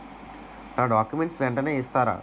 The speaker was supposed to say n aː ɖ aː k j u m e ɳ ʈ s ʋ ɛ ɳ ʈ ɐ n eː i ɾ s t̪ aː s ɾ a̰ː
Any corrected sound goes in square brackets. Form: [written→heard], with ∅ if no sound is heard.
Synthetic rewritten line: n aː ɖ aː k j u m e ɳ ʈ s ʋ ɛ ɳ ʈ ɐ n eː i [ɾ→∅] s t̪ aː [s→∅] ɾ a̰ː